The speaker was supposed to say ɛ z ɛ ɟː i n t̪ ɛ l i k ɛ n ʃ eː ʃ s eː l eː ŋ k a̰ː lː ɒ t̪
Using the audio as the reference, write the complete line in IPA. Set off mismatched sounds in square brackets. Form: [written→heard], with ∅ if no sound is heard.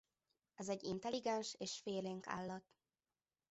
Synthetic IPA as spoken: ɛ z ɛ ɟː i n t̪ ɛ l i [k→ɡ] ɛ n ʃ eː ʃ [s→f] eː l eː ŋ k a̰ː lː ɒ t̪